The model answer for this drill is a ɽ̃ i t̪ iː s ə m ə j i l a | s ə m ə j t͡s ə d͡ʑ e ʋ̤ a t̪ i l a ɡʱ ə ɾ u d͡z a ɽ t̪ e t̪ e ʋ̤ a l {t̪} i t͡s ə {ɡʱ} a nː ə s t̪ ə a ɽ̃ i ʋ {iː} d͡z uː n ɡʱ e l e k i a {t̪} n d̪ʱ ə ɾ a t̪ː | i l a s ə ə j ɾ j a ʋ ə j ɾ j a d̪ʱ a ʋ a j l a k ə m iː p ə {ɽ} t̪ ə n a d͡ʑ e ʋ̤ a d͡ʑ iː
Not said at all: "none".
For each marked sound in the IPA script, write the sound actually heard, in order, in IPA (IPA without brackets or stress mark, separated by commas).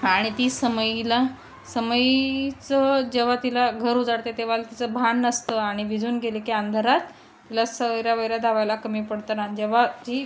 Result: t̪, bʱ, i, none, ɽ